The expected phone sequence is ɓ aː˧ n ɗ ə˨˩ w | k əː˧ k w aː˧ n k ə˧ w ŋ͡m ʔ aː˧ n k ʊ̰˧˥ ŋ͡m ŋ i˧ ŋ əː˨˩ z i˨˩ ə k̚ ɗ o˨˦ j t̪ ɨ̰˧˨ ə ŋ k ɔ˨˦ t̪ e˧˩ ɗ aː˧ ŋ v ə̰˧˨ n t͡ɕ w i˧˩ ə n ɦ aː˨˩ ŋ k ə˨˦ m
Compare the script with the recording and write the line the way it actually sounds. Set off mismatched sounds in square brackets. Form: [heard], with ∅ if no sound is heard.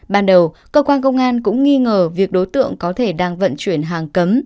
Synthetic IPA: ɓ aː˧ n ɗ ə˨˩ w | k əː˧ k w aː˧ n k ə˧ w ŋ͡m ʔ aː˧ n k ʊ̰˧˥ ŋ͡m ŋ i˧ ŋ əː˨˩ [v] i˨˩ ə k̚ ɗ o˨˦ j t̪ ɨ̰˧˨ ə ŋ k ɔ˨˦ [t̪ʰ] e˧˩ ɗ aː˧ ŋ v ə̰˧˨ n t͡ɕ w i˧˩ ə n ɦ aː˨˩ ŋ k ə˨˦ m